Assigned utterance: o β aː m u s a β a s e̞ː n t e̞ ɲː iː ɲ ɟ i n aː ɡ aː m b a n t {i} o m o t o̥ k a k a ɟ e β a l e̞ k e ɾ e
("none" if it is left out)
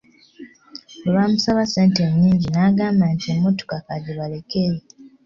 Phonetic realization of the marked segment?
i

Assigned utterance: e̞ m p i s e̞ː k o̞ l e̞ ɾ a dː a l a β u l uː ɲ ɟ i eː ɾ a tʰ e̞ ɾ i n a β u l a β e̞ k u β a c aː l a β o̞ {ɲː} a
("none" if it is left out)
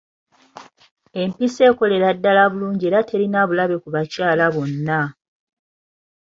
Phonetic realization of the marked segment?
nː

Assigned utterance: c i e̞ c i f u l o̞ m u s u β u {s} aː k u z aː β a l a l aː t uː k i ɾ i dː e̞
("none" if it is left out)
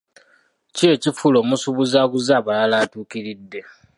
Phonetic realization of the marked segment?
z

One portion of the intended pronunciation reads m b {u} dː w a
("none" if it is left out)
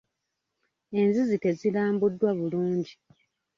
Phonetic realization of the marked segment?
u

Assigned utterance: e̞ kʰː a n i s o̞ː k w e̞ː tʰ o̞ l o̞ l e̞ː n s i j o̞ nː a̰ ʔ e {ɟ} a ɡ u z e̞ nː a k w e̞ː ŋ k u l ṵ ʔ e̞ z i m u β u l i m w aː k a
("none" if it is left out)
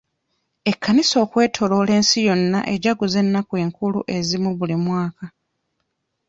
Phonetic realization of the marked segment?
ɟ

